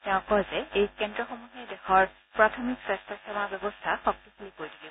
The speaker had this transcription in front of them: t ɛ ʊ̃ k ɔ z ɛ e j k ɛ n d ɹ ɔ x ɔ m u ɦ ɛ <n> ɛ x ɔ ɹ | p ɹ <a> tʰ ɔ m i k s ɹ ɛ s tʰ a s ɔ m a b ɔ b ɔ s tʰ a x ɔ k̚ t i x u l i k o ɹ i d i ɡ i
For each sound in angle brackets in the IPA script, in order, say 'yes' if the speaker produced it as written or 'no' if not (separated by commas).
no, yes